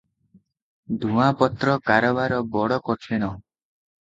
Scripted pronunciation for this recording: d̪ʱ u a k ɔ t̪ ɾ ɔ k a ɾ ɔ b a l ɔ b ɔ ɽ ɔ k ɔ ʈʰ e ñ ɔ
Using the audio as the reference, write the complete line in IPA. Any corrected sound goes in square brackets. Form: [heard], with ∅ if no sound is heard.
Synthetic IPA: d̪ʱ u a [p] ɔ t̪ ɾ ɔ k a ɾ ɔ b a [ɾ] ɔ b ɔ ɽ ɔ k ɔ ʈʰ e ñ ɔ